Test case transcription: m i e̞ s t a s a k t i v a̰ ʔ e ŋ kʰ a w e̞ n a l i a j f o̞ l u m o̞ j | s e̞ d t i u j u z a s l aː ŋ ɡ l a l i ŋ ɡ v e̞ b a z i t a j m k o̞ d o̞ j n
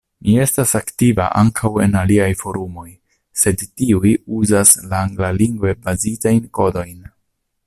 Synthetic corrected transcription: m i e̞ s t a s a k t i v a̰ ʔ a ŋ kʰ a w e̞ n a l i a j f o̞ ɾ u m o̞ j | s e̞ d t i u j u z a s l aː ŋ ɡ l a l i ŋ ɡ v e̞ b a z i t a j n k o̞ d o̞ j n

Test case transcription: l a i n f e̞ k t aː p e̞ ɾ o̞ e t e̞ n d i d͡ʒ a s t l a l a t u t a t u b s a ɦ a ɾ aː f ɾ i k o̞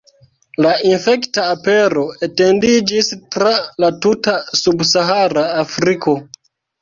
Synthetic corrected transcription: l a i n f e̞ k t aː p e̞ ɾ o̞ e t e̞ n d i d͡ʒ i s t ɾ a l a t u t a s u b s a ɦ a ɾ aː f ɾ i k o̞

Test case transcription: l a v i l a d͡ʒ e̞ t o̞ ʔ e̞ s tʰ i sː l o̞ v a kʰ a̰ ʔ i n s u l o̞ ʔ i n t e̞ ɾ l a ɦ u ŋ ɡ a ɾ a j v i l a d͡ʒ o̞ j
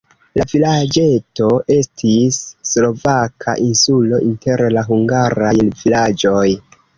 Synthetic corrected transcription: l a v i l a d͡ʒ e̞ t o̞ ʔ e̞ s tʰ i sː l o̞ v a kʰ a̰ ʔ i n s u l o̞ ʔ i n t e̞ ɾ l a ɦ u ŋ ɡ a ɾ a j v i l a d͡ʒ o̞ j

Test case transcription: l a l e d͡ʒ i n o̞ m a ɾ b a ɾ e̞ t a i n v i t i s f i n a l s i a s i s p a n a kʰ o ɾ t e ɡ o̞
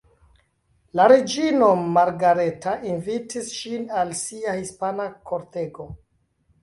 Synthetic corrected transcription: l a ɾ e d͡ʒ i n o̞ m a ɾ ɡ a ɾ e̞ t a i n v i t i s ʃ i n a l s i a h i s p a n a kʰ o ɾ t e ɡ o̞

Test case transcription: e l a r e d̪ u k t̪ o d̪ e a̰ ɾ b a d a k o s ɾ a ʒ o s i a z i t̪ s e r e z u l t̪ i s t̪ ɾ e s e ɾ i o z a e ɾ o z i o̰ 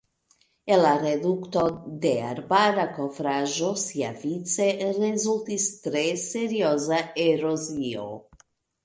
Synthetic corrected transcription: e l a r e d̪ u k t̪ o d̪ e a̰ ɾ b a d a k o f ɾ a ʒ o s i a v i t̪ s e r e z u l t̪ i s t̪ ɾ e s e ɾ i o z a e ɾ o z i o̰

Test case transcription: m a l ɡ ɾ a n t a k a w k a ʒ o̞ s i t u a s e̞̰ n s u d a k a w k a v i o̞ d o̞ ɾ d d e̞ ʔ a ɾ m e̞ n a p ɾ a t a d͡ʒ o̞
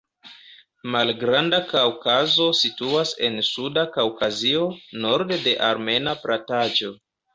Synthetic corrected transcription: m a l ɡ ɾ a n d a k a w k a z o̞ s i t u a s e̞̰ n s u d a k a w k a z i o̞ n o̞ ɾ d d e̞ ʔ a ɾ m e̞ n a p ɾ a t a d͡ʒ o̞

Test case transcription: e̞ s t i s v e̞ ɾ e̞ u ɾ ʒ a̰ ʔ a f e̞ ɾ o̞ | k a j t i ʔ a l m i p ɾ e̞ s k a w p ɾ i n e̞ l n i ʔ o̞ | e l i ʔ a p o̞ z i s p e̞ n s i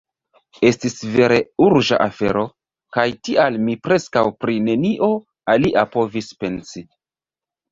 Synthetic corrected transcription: e̞ s t i s v e̞ ɾ e̞ u ɾ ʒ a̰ ʔ a f e̞ ɾ o̞ | k a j t i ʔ a l m i p ɾ e̞ s k a w p ɾ i n e̞ n i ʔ o̞ | a l i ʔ a p o̞ v i s p e̞ n s i

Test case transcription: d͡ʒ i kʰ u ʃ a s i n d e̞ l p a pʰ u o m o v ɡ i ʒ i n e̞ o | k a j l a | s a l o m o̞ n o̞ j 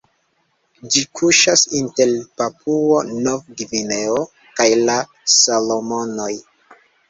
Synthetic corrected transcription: d͡ʒ i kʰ u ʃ a s i n t e̞ l p a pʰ u o n o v ɡ i v i n e̞ o | k a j l a | s a l o m o̞ n o̞ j

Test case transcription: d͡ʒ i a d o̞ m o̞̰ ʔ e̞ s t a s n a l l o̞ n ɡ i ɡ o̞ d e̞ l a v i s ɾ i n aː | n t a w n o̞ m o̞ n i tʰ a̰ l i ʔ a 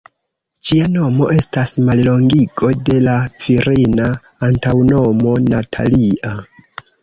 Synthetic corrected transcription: d͡ʒ i a n o̞ m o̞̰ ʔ e̞ s t a s m a l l o̞ ŋ ɡ i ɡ o̞ d e̞ l a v i ɾ i n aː | n t a w n o̞ m o̞ n a tʰ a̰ l i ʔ a

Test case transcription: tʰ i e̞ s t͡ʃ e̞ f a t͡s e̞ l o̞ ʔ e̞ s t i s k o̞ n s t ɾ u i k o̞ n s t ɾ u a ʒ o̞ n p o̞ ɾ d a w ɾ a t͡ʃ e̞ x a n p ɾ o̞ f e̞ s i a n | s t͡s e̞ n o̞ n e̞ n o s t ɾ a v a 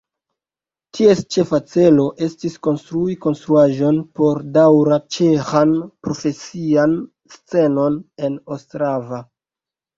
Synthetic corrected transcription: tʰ i e̞ s t͡ʃ e̞ f a t͡s e̞ l o̞ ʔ e̞ s t i s k o̞ n s t ɾ u i k o̞ n s t ɾ u a ʒ o̞ n p o̞ ɾ d a w ɾ a t͡ʃ e̞ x a n p ɾ o̞ f e̞ s i a n | s t͡s e̞ n o̞ n e̞ n o s t ɾ a v a

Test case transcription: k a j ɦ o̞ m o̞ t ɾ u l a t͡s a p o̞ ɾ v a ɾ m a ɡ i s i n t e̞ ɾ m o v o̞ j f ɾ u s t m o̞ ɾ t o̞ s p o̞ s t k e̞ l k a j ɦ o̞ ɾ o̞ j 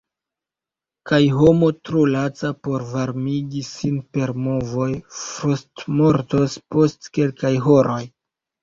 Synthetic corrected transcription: k a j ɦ o̞ m o̞ t ɾ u l a t͡s a p o̞ ɾ v a ɾ m i ɡ i s i n p e̞ ɾ m o v o̞ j f ɾ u s t m o̞ ɾ t o̞ s p o̞ s t k e̞ l k a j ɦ o̞ ɾ o̞ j

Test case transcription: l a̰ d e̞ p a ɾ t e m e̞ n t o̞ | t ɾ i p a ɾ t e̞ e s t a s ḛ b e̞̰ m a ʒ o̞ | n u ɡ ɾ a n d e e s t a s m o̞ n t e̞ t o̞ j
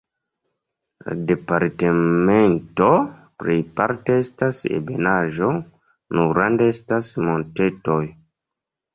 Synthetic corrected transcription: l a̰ d e̞ p a ɾ t e m e̞ n t o̞ | p ɾ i p a ɾ t e̞ e s t a s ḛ b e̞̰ n a ʒ o̞ | n u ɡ ɾ a n d e e s t a s m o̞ n t e̞ t o̞ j

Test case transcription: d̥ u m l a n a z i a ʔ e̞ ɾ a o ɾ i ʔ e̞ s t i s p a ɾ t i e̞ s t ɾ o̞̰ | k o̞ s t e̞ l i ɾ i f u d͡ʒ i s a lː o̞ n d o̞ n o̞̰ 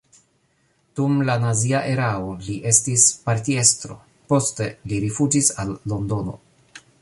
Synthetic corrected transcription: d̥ u m l a n a z i a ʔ e̞ ɾ a o l i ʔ e̞ s t i s p a ɾ t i e̞ s t ɾ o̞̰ | p o̞ s t e̞ l i ɾ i f u d͡ʒ i s a lː o̞ n d o̞ n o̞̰

